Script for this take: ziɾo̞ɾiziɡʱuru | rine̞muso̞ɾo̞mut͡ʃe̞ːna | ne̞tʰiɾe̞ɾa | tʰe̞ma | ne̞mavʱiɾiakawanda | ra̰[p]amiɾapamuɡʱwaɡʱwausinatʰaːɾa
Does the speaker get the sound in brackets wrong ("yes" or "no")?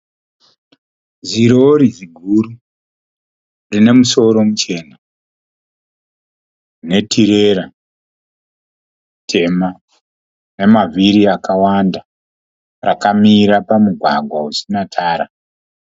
yes